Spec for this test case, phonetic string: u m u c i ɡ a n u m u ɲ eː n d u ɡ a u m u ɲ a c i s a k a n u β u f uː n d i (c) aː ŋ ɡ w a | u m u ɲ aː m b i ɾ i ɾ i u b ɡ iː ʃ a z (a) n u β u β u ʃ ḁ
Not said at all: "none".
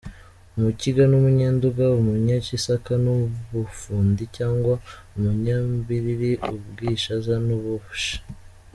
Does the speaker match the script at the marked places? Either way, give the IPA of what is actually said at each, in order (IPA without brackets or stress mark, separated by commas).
c, a